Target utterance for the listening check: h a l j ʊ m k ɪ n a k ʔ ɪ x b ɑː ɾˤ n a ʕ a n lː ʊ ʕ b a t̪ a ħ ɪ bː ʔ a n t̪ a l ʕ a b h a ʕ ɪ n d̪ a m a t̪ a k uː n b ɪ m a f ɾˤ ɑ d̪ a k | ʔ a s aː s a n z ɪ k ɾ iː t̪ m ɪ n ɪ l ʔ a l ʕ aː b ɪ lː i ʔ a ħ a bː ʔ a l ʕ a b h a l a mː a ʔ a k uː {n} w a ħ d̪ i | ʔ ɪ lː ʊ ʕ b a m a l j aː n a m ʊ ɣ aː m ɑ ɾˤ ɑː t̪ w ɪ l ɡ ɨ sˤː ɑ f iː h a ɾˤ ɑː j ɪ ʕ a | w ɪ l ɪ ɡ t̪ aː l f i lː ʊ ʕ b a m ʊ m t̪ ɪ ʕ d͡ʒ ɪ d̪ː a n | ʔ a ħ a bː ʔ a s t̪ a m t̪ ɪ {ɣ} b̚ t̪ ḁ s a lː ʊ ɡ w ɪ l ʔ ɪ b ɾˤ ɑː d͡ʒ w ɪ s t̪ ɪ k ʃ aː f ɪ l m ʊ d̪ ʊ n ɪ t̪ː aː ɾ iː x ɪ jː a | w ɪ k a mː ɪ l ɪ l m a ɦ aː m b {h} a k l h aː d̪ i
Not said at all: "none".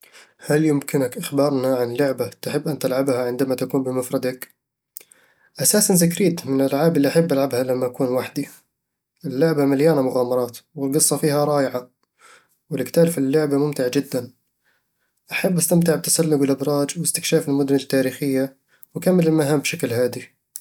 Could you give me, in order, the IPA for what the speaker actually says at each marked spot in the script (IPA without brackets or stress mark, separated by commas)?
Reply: n, ʕ, ʃ